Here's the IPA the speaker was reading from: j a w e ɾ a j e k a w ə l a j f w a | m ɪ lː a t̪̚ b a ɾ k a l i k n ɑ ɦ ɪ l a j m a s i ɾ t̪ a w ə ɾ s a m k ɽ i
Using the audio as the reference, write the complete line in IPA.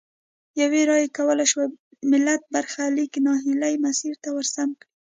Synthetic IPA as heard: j a w e ɾ ɑ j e k a w ə l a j ʃ w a | m ɪ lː a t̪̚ b a ɾ x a l i k n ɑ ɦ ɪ l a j m a s i ɾ t̪ a w ə ɾ s a m k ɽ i